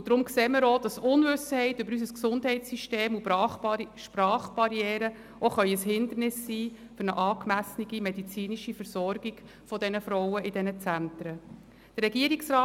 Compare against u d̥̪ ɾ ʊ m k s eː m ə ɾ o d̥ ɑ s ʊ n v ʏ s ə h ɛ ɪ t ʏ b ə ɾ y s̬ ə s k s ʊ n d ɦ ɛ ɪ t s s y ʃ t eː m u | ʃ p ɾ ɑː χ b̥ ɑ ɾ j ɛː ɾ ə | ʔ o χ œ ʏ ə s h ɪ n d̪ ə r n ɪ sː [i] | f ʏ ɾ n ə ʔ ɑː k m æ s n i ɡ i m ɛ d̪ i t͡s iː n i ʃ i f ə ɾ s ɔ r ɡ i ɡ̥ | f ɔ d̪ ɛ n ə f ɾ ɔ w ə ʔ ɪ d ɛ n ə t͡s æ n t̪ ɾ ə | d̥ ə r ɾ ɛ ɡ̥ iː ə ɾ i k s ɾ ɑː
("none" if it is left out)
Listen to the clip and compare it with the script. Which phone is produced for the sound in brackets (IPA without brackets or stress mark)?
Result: iː